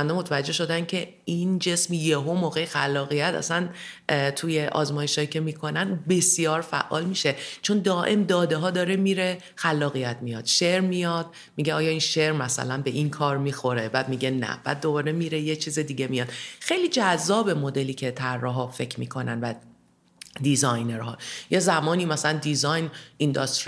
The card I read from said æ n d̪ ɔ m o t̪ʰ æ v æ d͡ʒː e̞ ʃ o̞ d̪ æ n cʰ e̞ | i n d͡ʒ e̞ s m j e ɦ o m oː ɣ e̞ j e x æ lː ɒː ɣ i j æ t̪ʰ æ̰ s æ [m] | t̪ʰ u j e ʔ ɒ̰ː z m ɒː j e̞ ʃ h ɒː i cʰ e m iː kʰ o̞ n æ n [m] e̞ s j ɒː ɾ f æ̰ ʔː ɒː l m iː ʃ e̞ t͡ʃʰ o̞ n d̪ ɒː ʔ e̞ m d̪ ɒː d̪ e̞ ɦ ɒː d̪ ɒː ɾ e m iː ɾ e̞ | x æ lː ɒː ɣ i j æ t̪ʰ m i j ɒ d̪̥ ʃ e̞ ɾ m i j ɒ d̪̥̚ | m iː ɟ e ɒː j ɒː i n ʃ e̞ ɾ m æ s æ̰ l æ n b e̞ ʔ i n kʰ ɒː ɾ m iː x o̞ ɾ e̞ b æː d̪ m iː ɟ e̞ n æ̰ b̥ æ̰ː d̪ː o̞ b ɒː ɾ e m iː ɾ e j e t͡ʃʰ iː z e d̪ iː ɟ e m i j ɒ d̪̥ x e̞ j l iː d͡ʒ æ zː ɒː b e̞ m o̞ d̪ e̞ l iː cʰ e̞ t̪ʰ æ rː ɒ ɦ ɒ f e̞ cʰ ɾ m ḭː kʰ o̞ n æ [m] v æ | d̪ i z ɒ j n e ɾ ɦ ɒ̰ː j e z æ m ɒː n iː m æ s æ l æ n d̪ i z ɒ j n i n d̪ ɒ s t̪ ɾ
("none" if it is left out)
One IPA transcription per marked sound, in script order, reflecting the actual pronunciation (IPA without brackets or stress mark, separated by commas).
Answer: n, b, n